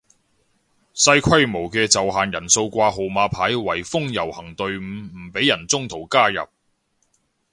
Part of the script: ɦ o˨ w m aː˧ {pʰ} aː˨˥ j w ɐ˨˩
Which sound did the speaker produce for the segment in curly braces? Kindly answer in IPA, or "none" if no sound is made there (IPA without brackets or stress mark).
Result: pʰ